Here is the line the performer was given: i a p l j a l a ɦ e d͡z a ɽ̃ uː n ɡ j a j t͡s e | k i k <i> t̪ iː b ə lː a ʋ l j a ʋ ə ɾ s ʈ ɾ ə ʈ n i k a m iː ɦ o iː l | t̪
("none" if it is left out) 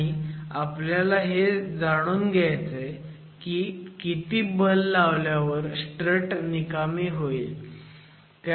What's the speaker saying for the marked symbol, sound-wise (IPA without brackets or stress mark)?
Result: i